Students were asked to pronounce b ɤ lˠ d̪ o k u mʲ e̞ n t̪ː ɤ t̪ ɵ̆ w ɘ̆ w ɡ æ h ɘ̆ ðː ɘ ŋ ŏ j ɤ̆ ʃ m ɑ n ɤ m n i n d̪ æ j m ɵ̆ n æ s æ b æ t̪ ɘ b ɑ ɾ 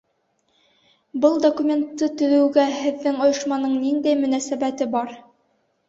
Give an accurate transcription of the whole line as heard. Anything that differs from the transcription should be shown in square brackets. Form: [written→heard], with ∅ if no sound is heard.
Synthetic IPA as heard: b ɤ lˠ d̪ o k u mʲ e̞ n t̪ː ɤ t̪ ɵ̆ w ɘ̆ w ɡ æ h ɘ̆ ðː ɘ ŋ ŏ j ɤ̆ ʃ m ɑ n ɤ [m→ɴ] n i n d̪ æ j m ɵ̆ n æ s æ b æ t̪ ɘ b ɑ ɾ